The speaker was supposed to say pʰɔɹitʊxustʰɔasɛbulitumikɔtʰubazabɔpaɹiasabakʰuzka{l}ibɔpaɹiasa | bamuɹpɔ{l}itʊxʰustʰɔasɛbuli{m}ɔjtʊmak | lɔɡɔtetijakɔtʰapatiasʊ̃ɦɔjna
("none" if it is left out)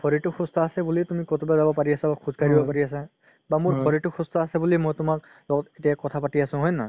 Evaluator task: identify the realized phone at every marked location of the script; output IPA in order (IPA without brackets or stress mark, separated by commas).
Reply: ɹ, ɹ, m